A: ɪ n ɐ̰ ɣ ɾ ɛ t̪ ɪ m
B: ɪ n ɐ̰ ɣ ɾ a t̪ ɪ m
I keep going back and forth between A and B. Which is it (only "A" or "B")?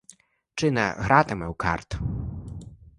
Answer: B